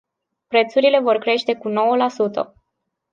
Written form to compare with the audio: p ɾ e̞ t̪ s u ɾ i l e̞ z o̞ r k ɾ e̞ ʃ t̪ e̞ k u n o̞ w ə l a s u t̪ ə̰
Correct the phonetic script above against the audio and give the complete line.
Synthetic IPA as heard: p ɾ e̞ t̪ s u ɾ i l e̞ v o̞ r k ɾ e̞ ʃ t̪ e̞ k u n o̞ w ə l a s u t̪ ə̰